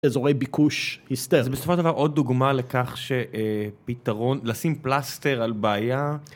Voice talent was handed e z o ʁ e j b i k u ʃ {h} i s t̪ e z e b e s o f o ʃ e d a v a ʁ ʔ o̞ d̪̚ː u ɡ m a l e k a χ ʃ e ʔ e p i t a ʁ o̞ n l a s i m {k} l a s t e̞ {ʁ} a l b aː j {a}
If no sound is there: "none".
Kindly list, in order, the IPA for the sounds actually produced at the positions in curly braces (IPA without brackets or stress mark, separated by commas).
h, p, ʁ, a